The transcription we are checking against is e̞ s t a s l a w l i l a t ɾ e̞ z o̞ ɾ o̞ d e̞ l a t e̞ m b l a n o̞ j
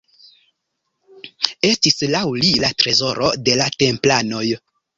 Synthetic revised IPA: e̞ s t i s l a w l i l a t ɾ e̞ z o̞ ɾ o̞ d e̞ l a t e̞ m p l a n o̞ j